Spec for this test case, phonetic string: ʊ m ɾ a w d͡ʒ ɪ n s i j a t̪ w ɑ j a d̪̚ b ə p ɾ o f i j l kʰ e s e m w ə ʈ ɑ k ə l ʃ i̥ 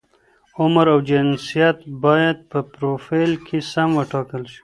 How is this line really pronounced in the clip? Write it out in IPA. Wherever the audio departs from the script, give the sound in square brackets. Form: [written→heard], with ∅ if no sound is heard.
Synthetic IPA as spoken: ʊ m ɾ a w d͡ʒ ɪ n s i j a t̪ [w→b] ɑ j a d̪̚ [b→p] ə p ɾ o f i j l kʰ e s [e→a] m w ə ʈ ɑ k ə l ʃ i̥

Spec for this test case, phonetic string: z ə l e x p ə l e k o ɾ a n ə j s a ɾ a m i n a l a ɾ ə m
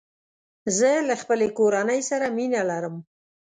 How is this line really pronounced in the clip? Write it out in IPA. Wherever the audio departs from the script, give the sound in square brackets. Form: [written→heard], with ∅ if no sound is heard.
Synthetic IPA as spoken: z ə l [e→a] x p ə l e k o ɾ a n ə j s a ɾ a m i n a l a ɾ ə m

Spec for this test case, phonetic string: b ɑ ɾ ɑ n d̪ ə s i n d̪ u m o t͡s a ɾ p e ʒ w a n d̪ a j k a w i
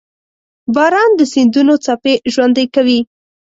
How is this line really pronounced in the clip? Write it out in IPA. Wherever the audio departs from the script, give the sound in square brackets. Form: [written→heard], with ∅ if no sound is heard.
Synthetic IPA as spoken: b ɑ ɾ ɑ n d̪ ə s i n d̪ u [m→n] o t͡s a [ɾ→∅] p e ʒ w a n d̪ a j k a w i

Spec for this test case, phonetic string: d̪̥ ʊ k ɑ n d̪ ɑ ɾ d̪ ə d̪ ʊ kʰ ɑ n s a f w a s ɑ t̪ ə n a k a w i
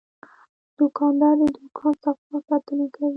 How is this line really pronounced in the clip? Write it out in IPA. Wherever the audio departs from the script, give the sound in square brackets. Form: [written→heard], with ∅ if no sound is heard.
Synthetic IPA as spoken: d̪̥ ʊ k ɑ n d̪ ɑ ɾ d̪ ə d̪ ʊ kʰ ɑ n s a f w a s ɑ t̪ ə n a k a w i

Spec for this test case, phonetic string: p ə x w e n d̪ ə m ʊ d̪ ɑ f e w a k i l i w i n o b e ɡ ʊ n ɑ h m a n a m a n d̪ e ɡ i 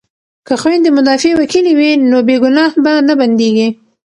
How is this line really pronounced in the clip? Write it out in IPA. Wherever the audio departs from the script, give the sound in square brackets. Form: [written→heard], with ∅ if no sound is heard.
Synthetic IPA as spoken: [p→k] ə x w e n d̪ ə m ʊ d̪ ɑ f e w a k i l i w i n o b e ɡ ʊ n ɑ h [m→b] a n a [m→b] a n d̪ e ɡ i

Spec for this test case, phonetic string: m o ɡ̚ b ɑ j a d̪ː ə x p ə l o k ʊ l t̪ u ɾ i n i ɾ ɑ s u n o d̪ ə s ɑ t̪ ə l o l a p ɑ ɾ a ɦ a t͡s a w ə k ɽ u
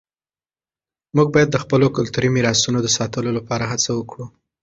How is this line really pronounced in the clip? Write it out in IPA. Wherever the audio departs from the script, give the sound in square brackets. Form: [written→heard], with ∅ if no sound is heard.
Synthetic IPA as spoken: m [o→u] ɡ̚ b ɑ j a d̪ː ə x p ə l o k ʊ l t̪ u ɾ i [n→m] i ɾ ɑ s u n o d̪ ə s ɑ t̪ ə l o l a p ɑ ɾ a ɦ a t͡s a w ə k ɽ u

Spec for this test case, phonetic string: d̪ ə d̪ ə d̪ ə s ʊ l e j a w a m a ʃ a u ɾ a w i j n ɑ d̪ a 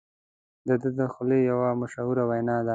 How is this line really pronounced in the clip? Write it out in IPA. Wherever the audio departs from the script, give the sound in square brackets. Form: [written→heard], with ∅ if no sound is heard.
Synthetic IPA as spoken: d̪ ə d̪ ə d̪ ə [s→x] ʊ l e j a w a m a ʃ a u ɾ a w [i→a] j n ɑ d̪ a

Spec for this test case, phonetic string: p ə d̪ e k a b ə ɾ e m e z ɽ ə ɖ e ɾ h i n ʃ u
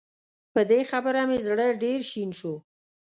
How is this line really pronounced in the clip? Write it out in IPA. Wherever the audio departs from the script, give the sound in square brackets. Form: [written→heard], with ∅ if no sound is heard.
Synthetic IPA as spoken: p ə d̪ e [k→x] a b ə ɾ [e→a] m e z ɽ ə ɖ e ɾ [h→ʃ] i n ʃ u

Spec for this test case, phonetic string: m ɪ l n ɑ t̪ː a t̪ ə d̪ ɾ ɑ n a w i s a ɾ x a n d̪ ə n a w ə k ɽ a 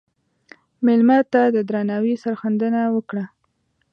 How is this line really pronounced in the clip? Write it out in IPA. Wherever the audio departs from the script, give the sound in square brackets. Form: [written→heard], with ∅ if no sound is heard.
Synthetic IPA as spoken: m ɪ l [n→m] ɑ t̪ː a [t̪→d̪] ə d̪ ɾ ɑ n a w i s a ɾ x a n d̪ ə n a w ə k ɽ a

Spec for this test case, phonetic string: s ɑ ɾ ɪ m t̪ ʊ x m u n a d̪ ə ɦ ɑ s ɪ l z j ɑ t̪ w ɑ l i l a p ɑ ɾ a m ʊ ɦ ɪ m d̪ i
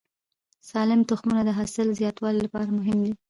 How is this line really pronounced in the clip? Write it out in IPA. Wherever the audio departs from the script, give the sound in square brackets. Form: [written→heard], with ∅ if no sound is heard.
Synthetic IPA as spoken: s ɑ [ɾ→l] ɪ m t̪ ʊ x m u n a d̪ ə ɦ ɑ s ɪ l z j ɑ t̪ w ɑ l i l a p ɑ ɾ a m ʊ ɦ ɪ m d̪ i

